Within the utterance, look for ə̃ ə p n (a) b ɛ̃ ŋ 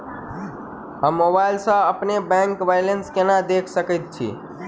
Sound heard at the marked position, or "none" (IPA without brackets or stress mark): e